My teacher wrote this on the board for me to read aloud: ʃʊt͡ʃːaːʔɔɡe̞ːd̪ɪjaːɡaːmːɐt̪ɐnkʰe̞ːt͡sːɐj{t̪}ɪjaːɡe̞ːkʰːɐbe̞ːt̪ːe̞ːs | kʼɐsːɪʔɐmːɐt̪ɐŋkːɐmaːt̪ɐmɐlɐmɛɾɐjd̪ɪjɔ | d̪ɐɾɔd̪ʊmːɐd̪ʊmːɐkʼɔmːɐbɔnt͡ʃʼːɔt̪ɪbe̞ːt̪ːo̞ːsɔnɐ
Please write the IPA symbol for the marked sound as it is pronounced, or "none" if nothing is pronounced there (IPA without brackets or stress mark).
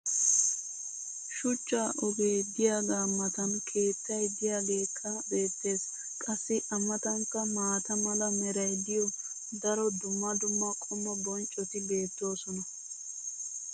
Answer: d̪